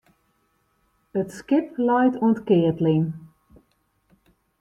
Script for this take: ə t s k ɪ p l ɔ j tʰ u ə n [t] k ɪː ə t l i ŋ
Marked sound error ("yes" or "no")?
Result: no